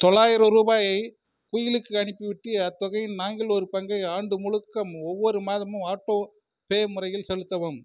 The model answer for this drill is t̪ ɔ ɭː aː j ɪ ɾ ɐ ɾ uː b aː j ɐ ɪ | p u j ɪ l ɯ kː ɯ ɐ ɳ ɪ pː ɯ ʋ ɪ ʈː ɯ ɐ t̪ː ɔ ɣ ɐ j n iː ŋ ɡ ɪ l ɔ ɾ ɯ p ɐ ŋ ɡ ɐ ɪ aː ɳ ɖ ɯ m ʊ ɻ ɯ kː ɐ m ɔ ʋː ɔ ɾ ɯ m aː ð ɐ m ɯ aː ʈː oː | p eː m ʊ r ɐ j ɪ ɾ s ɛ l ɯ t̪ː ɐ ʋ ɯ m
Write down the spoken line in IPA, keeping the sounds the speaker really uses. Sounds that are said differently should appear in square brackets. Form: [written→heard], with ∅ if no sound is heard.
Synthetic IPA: t̪ ɔ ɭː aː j ɪ ɾ ɐ ɾ uː b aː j ɐ ɪ | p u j ɪ l ɯ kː ɯ ɐ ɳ ɪ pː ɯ ʋ ɪ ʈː ɯ ɐ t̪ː ɔ ɣ ɐ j n [iː→aː] ŋ ɡ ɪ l ɔ ɾ ɯ p ɐ ŋ ɡ ɐ ɪ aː ɳ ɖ ɯ m ʊ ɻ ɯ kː ɐ m ɔ ʋː ɔ ɾ ɯ m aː ð ɐ m ɯ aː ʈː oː | p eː m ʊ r ɐ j ɪ [ɾ→l] s ɛ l ɯ t̪ː ɐ ʋ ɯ m